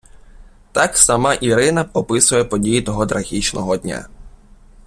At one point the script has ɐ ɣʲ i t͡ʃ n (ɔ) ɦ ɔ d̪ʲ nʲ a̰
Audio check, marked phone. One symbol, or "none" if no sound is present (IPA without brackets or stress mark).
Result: ɔ